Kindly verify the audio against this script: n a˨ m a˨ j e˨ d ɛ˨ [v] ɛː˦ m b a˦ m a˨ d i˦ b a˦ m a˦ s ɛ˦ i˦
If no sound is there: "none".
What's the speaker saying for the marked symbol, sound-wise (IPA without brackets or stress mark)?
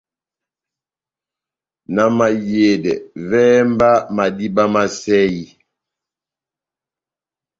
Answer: v